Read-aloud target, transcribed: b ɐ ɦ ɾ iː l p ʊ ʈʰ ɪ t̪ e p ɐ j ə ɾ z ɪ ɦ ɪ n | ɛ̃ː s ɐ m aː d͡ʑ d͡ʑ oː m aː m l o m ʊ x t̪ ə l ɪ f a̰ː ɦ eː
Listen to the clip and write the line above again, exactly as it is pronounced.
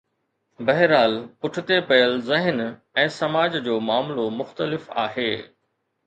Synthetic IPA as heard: b ɐ ɦ ɾ aː l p ʊ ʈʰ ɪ t̪ e p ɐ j ə l z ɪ ɦ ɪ n | ɛ̃ː s ɐ m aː d͡ʑ d͡ʑ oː m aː m l o m ʊ x t̪ ə l ɪ f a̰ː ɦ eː

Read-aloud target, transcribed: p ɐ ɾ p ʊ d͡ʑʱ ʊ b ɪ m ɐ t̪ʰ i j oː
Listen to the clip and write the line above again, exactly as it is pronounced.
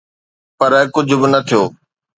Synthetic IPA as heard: p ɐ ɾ k ʊ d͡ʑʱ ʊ b ɪ n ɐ t̪ʰ i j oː

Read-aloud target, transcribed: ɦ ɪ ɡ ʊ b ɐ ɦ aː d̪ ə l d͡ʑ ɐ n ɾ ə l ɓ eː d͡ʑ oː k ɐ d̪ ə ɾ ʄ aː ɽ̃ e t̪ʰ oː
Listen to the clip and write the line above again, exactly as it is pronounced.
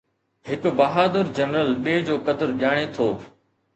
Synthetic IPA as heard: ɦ ɪ k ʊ b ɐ ɦ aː d̪ ə ɾ d͡ʑ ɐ n ɾ ə l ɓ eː d͡ʑ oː k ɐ d̪ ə ɾ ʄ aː ɽ̃ e t̪ʰ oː

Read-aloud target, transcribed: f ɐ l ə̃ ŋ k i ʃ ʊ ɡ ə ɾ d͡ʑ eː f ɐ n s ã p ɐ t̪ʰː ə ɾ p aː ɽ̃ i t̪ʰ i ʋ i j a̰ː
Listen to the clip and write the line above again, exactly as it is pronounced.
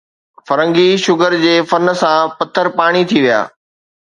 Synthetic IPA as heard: f ɐ ɾ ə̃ ŋ ɡ i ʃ ʊ ɡ ə ɾ d͡ʑ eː f ɐ n s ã p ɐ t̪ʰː ə ɾ p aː ɽ̃ i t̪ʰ i ʋ i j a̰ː

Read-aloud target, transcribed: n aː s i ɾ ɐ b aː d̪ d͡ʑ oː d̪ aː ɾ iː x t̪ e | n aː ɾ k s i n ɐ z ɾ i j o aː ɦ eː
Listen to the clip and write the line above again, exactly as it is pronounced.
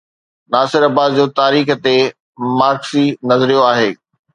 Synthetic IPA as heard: n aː s ɪ ɾ ɐ b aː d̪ d͡ʑ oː t̪ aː ɾ iː x t̪ e | m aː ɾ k s i n ɐ z ɾ i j o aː ɦ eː

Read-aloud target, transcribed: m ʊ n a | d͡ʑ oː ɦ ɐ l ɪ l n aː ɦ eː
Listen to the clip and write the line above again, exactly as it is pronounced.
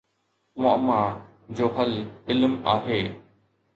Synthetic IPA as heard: m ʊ m a | d͡ʑ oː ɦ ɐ l ɪ l m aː ɦ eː

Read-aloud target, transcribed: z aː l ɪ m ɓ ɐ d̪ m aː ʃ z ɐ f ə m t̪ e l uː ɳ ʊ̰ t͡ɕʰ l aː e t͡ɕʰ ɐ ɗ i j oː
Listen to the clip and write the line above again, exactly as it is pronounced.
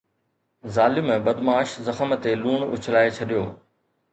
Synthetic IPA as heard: z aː l ɪ m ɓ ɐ d̪ m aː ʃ z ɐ x ə m t̪ e l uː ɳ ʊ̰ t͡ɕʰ l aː e t͡ɕʰ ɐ ɗ i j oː

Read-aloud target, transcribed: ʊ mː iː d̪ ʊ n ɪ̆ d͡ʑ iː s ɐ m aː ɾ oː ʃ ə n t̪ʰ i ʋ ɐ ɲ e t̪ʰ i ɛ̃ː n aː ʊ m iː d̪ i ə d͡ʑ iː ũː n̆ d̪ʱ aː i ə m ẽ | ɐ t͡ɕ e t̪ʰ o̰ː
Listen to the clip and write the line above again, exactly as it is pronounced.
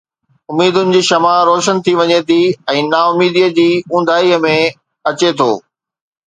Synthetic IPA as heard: ʊ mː iː d̪ ʊ n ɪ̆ d͡ʑ iː ʃ ɐ m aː ɾ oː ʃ ə n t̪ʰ i ʋ ɐ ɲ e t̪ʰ i ɛ̃ː n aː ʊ m iː d̪ i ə d͡ʑ iː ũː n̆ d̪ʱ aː i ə m ẽ | ɐ t͡ɕ e t̪ʰ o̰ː

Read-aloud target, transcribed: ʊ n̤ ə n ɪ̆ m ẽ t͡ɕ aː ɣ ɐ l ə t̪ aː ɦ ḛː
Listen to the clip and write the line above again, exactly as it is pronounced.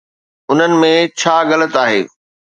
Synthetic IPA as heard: ʊ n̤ ə n ɪ̆ m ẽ t͡ɕʰ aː ɣ ɐ l ə t̪ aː ɦ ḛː

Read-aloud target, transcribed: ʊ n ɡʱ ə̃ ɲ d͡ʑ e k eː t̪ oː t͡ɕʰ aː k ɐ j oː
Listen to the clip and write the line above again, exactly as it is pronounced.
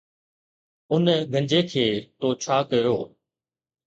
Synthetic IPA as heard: ʊ n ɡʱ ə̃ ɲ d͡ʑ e kʰ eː t̪ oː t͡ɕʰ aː k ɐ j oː

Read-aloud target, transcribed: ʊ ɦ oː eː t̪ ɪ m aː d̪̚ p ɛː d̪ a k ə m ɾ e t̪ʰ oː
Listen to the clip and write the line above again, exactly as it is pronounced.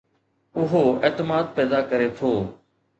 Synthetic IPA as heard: ʊ ɦ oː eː t̪ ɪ m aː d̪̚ p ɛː d̪ a k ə ɾ e t̪ʰ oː

